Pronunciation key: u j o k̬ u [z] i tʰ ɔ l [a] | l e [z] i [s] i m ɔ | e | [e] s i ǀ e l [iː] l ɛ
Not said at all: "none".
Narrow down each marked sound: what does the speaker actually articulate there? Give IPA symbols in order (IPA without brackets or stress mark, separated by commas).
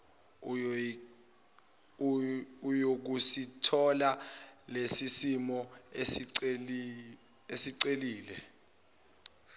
s, a, s, s, e, iː